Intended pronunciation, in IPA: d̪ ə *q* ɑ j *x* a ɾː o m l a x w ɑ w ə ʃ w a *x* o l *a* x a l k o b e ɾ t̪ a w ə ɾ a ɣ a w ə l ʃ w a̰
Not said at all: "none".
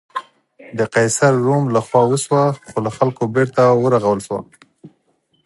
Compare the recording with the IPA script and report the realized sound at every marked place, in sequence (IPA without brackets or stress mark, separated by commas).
q, s, x, a